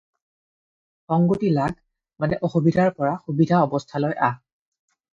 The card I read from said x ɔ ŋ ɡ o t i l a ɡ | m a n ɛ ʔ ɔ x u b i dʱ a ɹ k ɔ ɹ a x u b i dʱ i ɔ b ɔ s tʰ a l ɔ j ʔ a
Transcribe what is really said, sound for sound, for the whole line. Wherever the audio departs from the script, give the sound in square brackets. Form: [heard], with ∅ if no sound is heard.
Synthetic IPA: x ɔ ŋ ɡ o t i l a ɡ | m a n ɛ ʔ ɔ x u b i dʱ a ɹ [p] ɔ ɹ a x u b i dʱ [a] ɔ b ɔ s tʰ a l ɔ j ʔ a